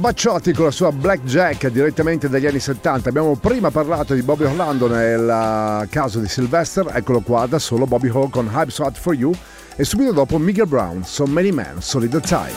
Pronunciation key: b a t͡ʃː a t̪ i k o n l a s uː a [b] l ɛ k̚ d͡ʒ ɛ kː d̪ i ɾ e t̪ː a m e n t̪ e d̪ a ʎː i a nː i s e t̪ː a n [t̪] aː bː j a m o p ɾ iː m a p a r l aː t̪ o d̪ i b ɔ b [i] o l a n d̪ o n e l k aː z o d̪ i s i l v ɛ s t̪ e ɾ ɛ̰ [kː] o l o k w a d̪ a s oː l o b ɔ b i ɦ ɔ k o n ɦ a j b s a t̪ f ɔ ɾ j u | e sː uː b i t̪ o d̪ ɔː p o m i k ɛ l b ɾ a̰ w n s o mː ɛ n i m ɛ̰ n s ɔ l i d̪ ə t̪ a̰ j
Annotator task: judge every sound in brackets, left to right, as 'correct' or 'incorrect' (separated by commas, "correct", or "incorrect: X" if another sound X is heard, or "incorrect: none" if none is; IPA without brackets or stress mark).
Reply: correct, correct, correct, correct